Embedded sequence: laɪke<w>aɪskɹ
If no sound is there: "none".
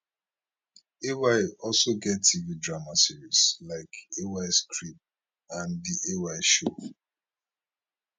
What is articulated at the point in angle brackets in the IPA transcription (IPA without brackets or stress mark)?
w